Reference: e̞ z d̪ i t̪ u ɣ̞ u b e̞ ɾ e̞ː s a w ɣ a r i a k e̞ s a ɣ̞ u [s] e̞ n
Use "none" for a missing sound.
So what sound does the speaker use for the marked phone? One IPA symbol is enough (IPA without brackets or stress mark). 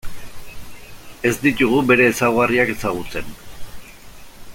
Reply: t͡s